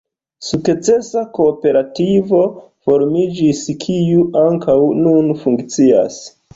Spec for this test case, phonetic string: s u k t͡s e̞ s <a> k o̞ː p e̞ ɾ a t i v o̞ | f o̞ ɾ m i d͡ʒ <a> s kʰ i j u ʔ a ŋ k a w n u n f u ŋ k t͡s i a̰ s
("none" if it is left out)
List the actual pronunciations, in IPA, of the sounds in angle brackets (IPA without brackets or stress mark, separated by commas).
a, i